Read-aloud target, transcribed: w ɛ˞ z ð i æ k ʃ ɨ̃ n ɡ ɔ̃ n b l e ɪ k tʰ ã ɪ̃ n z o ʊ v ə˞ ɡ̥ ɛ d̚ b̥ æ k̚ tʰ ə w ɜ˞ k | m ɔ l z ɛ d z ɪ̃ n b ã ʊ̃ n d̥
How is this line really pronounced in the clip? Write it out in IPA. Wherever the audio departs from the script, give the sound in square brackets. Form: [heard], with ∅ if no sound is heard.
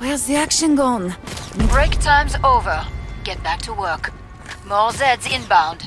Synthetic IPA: w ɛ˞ z ð i æ k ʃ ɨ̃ n ɡ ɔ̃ n b [ɹ] e ɪ k tʰ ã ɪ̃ [m] z o ʊ v ə˞ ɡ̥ ɛ [t̚] b̥ æ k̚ tʰ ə w ɜ˞ k | m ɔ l z ɛ d z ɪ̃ n b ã ʊ̃ n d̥